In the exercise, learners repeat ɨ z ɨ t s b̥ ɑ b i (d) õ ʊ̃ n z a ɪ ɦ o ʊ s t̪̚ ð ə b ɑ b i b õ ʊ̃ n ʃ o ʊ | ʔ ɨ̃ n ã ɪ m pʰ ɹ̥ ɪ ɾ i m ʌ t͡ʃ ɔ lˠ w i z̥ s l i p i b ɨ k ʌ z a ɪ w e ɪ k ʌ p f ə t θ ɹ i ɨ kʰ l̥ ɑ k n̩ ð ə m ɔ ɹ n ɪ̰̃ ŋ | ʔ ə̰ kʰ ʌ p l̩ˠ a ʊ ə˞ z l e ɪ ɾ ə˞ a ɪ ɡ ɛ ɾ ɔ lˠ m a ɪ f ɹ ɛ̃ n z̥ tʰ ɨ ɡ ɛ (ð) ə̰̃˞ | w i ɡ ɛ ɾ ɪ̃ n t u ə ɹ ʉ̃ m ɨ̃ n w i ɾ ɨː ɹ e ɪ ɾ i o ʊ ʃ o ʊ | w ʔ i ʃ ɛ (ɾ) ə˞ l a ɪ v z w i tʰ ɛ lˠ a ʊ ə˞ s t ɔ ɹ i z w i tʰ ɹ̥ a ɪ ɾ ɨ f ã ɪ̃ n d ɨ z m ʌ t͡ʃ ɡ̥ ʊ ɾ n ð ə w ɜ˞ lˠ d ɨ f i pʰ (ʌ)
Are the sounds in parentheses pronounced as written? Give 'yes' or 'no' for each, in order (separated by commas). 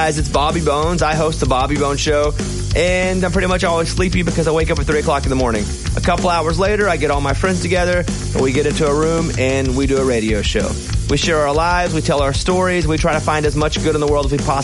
no, yes, no, no